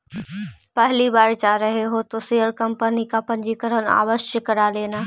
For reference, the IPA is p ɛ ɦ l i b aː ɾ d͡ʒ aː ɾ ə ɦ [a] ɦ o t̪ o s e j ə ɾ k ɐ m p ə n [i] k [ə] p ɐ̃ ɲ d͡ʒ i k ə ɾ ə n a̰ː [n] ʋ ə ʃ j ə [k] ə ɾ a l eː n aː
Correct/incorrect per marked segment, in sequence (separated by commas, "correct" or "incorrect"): incorrect, correct, incorrect, incorrect, correct